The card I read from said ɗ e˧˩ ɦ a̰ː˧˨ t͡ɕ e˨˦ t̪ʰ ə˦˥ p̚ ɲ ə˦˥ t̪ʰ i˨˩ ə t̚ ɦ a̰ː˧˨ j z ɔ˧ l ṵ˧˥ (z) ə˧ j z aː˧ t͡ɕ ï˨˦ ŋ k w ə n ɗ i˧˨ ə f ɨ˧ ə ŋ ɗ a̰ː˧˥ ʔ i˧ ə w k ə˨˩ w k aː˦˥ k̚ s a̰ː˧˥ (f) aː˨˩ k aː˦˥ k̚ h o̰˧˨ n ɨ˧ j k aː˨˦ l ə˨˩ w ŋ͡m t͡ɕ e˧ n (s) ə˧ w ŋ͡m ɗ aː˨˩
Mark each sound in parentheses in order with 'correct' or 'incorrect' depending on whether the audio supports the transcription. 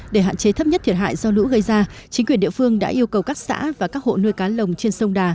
incorrect: ɣ, incorrect: v, correct

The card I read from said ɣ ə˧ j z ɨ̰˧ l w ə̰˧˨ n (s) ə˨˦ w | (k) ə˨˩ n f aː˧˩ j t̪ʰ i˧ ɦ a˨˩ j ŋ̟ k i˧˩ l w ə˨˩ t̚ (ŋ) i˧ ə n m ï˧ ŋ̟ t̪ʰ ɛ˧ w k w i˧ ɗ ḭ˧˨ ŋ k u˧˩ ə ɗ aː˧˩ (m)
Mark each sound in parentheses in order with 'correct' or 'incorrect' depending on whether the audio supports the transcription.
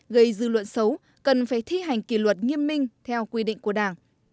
correct, correct, correct, incorrect: ŋ

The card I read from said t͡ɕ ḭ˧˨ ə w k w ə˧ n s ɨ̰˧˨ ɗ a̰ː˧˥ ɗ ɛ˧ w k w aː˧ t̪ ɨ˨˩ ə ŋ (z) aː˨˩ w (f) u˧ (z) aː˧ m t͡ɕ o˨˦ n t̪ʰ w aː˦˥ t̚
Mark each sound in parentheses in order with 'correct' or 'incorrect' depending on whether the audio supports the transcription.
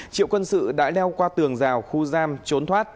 correct, incorrect: x, correct

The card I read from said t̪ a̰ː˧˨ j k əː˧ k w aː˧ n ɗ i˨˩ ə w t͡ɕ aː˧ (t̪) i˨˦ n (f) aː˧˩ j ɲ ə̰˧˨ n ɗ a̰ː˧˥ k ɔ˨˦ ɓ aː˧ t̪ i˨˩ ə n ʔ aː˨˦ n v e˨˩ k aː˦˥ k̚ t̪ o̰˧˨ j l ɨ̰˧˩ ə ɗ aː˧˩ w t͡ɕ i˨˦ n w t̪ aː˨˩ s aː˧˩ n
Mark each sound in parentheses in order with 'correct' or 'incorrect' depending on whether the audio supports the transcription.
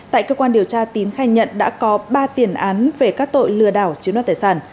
correct, incorrect: x

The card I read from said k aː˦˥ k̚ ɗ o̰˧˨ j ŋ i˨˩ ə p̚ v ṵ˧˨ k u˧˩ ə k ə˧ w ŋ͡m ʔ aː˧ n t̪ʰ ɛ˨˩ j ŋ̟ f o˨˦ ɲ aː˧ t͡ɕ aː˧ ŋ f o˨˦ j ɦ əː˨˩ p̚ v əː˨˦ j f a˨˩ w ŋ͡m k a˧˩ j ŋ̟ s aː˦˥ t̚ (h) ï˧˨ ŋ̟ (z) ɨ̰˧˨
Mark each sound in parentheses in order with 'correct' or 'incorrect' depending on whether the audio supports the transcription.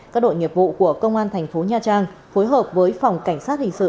correct, incorrect: s

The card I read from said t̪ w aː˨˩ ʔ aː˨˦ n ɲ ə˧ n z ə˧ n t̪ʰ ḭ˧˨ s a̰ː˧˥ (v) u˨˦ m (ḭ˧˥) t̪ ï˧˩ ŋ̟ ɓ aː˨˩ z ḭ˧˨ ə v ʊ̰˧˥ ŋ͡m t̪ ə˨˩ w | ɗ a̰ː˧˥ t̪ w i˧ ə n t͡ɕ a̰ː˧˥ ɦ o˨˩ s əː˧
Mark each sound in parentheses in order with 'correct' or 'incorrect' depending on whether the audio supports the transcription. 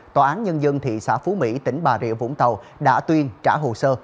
incorrect: f, correct

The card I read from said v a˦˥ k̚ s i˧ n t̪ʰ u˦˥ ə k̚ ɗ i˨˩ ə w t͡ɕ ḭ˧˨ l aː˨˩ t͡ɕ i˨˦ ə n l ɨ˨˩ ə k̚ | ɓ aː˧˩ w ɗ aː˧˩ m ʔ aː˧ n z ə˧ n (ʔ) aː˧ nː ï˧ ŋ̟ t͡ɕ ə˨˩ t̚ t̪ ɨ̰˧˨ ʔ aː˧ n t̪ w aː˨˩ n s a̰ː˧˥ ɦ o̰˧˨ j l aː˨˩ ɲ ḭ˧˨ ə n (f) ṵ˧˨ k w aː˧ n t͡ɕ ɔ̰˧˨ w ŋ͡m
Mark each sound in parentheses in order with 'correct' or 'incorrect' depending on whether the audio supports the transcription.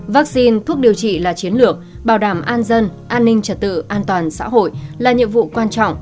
correct, incorrect: v

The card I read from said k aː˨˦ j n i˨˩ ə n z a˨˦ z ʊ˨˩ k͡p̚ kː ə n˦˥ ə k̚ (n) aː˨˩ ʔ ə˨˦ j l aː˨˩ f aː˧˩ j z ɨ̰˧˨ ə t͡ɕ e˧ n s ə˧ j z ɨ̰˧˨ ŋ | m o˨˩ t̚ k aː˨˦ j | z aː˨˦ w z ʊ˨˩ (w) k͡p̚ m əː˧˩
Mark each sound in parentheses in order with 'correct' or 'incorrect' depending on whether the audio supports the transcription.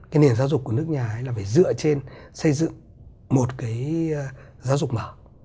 incorrect: ɲ, incorrect: none

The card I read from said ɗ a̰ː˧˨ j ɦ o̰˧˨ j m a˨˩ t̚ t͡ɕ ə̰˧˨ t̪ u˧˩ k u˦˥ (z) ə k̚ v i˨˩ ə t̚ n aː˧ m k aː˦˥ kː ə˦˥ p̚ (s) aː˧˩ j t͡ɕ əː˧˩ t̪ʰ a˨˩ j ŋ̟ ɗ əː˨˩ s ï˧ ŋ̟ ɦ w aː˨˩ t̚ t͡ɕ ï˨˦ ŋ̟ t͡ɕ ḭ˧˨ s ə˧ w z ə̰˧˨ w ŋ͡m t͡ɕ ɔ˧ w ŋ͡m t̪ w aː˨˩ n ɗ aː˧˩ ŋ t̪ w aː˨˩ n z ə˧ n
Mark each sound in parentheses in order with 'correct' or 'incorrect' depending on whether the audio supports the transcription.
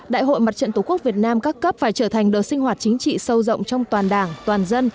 incorrect: none, incorrect: f

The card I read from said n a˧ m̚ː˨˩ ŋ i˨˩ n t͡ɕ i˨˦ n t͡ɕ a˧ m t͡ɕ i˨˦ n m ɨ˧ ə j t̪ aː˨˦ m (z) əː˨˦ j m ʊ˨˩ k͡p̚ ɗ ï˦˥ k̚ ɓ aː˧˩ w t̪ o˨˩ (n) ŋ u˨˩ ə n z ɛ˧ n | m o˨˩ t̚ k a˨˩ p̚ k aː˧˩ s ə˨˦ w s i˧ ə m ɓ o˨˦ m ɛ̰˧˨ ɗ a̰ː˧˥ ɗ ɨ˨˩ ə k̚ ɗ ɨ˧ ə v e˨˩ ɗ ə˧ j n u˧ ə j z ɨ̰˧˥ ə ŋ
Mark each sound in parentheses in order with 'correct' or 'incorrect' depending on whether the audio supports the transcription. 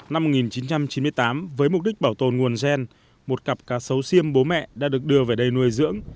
incorrect: v, correct

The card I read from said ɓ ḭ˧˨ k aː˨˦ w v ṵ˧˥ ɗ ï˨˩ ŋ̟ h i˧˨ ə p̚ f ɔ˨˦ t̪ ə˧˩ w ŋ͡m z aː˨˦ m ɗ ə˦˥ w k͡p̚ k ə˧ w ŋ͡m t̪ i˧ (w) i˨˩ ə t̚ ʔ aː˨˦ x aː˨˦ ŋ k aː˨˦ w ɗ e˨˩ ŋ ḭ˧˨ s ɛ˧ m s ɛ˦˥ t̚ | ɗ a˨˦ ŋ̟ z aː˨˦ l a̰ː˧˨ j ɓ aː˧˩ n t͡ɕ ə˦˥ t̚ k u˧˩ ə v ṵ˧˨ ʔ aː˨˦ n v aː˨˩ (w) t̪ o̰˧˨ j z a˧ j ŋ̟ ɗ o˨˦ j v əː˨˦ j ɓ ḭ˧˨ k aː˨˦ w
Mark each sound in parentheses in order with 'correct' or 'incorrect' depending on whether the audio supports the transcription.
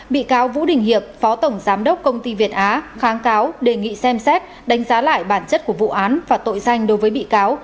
incorrect: v, incorrect: none

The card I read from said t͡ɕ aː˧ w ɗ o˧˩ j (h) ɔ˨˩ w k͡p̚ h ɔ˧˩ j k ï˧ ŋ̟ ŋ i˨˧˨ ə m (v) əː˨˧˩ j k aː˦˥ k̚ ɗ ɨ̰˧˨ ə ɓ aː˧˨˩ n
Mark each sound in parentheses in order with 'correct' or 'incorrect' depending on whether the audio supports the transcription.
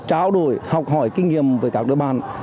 correct, correct

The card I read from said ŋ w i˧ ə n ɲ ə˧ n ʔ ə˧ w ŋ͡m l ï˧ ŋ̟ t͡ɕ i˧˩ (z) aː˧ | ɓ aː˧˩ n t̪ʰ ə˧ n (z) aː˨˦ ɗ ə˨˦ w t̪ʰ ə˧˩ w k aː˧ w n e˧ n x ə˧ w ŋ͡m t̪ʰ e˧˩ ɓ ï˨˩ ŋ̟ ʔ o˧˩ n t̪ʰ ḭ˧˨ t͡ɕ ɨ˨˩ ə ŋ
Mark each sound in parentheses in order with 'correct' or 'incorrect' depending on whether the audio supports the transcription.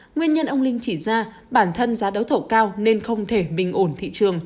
correct, correct

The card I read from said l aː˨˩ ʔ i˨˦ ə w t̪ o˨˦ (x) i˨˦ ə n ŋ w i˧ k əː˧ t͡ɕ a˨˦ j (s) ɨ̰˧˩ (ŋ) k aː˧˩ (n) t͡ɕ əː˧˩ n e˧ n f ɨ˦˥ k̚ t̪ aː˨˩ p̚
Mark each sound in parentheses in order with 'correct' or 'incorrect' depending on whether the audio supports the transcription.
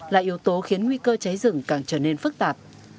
correct, incorrect: z, correct, incorrect: ŋ

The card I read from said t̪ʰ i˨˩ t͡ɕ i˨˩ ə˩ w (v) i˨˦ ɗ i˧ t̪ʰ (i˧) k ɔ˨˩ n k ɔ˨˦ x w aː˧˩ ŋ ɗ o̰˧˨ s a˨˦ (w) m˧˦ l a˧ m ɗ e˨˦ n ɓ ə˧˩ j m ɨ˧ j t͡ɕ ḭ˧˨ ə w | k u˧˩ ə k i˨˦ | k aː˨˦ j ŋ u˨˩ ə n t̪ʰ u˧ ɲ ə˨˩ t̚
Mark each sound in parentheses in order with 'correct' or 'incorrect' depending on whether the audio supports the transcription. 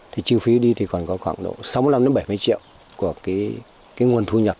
incorrect: f, incorrect: i˨˩, correct

